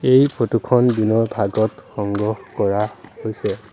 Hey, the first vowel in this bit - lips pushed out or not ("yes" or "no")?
no